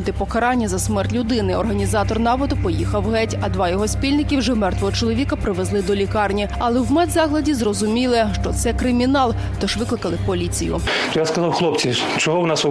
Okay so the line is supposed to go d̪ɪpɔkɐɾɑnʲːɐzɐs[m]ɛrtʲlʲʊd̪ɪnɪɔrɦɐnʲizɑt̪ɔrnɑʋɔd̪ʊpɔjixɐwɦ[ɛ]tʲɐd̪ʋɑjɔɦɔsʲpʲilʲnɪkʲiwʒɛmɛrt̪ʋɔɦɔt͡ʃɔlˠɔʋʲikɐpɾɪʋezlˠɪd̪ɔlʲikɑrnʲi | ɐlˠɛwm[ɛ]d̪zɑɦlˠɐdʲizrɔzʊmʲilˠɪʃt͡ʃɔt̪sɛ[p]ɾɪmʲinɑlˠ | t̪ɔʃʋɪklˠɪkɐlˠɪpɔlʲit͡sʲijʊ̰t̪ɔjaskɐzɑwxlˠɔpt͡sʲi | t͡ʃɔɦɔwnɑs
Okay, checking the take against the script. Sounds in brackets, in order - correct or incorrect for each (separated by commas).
correct, correct, correct, incorrect